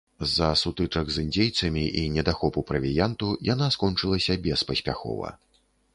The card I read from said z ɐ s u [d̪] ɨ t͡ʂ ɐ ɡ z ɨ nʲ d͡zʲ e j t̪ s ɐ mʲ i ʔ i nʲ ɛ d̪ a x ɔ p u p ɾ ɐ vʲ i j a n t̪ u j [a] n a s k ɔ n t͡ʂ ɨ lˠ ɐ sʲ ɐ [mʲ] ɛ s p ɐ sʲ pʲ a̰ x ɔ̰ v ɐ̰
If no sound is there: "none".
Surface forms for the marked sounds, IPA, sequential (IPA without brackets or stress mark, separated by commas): t̪, a, bʲ